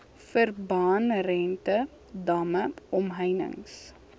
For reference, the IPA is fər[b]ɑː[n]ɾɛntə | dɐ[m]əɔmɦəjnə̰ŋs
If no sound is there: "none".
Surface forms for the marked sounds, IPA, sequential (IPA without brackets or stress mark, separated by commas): b, n, m